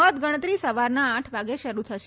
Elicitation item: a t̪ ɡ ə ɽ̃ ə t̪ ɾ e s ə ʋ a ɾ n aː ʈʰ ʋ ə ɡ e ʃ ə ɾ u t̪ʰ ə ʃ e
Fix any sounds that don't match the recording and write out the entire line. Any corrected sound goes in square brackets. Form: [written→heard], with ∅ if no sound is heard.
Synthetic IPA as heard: [a→ə] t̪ ɡ ə ɽ̃ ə t̪ ɾ [e→i] s ə ʋ a ɾ n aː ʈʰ ʋ [ə→a] ɡ e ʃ ə ɾ u t̪ʰ ə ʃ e

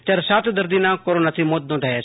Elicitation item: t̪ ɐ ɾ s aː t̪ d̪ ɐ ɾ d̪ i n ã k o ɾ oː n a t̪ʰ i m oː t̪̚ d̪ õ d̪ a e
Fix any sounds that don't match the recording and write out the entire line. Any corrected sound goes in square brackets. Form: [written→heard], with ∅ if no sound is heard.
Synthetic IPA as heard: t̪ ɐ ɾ s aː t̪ d̪ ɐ ɾ d̪ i n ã k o ɾ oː n a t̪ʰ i m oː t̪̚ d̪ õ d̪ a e

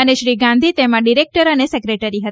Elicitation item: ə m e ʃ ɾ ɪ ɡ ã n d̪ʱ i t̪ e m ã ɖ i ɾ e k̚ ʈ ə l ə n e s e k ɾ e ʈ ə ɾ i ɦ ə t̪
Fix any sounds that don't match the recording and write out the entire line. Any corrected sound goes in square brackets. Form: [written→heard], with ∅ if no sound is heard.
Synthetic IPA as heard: ə [m→n] e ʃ ɾ [ɪ→i] ɡ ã n d̪ʱ i t̪ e m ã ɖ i ɾ e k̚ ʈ ə [l→ɾ] ə n e s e k ɾ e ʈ ə ɾ i ɦ ə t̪

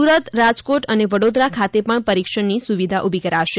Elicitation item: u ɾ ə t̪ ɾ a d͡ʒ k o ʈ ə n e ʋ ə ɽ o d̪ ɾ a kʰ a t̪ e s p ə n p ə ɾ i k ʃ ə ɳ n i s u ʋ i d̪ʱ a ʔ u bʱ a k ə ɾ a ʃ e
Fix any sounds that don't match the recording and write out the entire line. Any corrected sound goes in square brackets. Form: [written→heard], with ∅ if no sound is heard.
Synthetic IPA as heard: u ɾ ə t̪ ɾ a d͡ʒ k o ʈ ə n e ʋ ə ɽ o d̪ ɾ a kʰ a t̪ e [s→∅] p ə [n→ɳ] p ə ɾ i k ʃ ə ɳ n i s u ʋ i d̪ʱ a ʔ u bʱ [a→i] k ə ɾ a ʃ e

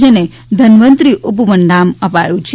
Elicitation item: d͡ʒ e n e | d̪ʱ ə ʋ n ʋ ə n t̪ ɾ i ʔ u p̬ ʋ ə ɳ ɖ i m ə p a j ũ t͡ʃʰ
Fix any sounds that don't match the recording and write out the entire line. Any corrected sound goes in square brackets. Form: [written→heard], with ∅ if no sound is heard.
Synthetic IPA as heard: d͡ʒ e n e | d̪ʱ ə [ʋ→∅] n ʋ ə n t̪ ɾ i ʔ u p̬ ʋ ə ɳ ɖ [i→a] m ə p a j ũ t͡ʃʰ

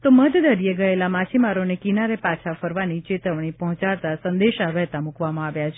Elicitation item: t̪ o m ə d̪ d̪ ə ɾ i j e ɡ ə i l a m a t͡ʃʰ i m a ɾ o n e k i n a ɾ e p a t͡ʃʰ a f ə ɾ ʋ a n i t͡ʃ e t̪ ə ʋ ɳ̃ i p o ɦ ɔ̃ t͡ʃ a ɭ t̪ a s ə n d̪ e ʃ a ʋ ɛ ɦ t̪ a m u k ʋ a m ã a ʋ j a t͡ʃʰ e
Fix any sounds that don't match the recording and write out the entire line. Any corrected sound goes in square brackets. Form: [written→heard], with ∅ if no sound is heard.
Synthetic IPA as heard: t̪ o m ə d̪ d̪ ə ɾ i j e ɡ ə [i→e] l a m a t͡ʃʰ i m a ɾ o n e k i n a ɾ e p a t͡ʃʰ a f ə ɾ ʋ a n i t͡ʃ e t̪ ə ʋ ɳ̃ i p [o→ɔ] ɦ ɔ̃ t͡ʃ a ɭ t̪ a s ə n d̪ e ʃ a ʋ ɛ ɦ t̪ a m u k ʋ a m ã a ʋ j a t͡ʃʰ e

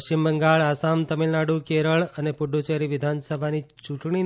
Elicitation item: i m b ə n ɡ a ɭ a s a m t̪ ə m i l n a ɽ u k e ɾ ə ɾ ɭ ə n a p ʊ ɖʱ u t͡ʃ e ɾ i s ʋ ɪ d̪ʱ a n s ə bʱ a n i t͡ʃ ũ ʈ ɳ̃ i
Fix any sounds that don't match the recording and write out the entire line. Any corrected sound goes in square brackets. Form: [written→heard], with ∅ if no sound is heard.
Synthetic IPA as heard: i m b ə [n→ŋ] ɡ a ɭ a s a m t̪ ə m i l n a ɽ u k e ɾ ə [ɾ→∅] ɭ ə n [a→e] p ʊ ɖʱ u t͡ʃ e ɾ i [s→∅] ʋ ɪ d̪ʱ a n s ə bʱ a n i t͡ʃ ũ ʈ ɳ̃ i

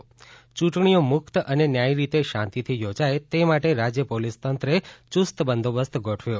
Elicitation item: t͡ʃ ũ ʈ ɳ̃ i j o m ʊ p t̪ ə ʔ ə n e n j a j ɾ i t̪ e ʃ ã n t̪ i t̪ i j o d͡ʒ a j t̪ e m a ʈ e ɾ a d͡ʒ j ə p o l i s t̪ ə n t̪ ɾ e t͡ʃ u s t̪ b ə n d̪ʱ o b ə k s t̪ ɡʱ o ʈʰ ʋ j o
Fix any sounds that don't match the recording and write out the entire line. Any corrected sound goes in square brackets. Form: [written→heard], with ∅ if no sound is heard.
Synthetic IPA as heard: t͡ʃ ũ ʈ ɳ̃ i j o m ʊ [p→k] t̪ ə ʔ ə n e n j a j ɾ i t̪ e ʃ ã n t̪ i [t̪→t̪ʰ] i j o d͡ʒ a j t̪ e m a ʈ e ɾ a d͡ʒ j ə p o l i s t̪ ə n t̪ ɾ e t͡ʃ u s t̪ b ə n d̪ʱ o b ə [k→∅] s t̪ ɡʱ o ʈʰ ʋ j o

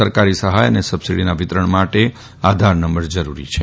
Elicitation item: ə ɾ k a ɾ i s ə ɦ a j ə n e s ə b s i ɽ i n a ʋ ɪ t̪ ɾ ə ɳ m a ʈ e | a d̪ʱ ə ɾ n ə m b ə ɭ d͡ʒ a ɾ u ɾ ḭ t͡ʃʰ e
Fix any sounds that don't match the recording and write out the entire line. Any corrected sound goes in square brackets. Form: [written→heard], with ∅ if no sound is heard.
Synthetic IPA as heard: ə ɾ k a ɾ i s ə ɦ a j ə n e s ə b s i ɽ i n a ʋ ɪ t̪ ɾ ə ɳ m a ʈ e | a d̪ʱ [ə→a] ɾ n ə m b ə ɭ d͡ʒ [a→ə] ɾ u ɾ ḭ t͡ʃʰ e

